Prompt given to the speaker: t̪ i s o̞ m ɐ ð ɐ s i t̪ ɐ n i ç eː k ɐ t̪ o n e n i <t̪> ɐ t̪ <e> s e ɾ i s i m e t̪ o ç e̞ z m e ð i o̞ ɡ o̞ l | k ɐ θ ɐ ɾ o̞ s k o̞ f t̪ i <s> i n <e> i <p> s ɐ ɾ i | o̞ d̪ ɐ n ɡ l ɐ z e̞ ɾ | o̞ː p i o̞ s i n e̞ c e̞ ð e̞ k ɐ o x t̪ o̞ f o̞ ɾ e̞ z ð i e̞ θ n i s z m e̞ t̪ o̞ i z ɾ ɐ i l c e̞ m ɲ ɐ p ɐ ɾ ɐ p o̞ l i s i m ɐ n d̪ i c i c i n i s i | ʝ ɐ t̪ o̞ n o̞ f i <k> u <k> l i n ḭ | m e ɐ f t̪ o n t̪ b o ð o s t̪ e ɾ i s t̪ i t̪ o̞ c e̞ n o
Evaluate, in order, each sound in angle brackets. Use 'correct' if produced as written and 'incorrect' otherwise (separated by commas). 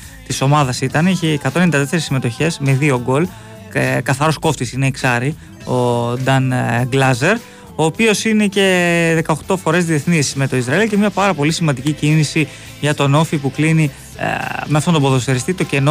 incorrect, correct, correct, correct, incorrect, incorrect, correct